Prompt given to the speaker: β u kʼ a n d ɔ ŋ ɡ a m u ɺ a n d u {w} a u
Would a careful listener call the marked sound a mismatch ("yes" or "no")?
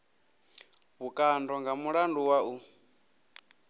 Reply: no